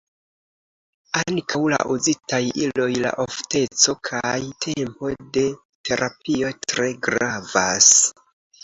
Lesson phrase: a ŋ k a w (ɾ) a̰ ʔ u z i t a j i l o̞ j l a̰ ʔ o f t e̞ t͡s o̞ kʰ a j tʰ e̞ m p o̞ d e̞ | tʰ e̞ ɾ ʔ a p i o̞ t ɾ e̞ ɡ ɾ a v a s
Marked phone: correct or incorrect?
incorrect